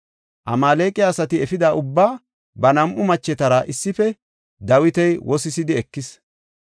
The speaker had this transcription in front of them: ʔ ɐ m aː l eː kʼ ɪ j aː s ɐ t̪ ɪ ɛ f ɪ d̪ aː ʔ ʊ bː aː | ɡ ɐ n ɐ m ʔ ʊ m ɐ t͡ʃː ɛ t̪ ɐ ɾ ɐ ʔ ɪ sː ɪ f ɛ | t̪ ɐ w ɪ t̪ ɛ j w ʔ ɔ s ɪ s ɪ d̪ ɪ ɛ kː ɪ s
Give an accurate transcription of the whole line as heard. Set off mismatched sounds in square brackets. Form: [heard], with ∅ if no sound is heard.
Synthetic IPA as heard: ʔ ɐ m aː l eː kʼ ɪ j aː s ɐ t̪ ɪ ɛ f ɪ d̪ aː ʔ ʊ bː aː | [b] ɐ n ɐ m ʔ ʊ m ɐ t͡ʃː ɛ t̪ ɐ ɾ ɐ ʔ ɪ sː ɪ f ɛ | [d̪] ɐ w ɪ t̪ ɛ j w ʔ ɔ s ɪ s ɪ d̪ ɪ ɛ kː ɪ s